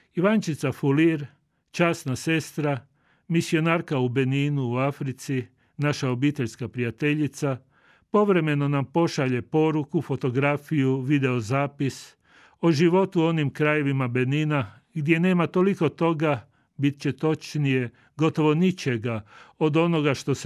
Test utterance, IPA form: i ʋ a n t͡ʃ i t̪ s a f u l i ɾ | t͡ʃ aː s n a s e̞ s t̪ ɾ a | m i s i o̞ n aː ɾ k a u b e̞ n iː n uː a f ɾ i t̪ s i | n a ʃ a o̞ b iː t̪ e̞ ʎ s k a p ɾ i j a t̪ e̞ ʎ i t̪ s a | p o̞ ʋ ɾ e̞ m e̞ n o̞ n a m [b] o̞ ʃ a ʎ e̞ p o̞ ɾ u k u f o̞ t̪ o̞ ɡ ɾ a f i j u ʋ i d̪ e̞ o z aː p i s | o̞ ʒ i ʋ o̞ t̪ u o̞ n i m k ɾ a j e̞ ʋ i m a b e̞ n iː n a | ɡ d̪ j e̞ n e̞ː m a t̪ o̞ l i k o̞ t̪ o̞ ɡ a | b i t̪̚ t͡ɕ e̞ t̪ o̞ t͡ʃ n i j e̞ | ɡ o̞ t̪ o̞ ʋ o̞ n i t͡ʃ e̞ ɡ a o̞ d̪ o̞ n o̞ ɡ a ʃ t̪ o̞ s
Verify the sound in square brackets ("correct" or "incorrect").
incorrect